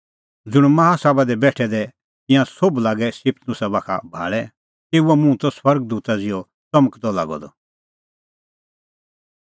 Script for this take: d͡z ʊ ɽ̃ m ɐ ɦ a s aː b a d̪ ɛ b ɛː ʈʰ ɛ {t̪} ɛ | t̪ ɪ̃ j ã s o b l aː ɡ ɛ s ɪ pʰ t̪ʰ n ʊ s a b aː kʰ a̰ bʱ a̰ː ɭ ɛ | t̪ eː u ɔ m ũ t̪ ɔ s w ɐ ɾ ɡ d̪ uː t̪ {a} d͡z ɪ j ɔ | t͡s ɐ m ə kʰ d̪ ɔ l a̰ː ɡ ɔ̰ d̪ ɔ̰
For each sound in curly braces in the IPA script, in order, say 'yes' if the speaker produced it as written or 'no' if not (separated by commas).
no, yes